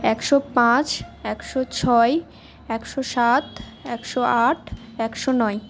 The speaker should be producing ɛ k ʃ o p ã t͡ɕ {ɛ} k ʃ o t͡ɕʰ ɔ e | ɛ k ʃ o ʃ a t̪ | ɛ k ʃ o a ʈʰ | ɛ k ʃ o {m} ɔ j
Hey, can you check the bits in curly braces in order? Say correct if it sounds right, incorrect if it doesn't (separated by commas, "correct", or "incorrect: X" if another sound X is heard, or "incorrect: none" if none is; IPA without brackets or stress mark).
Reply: correct, incorrect: n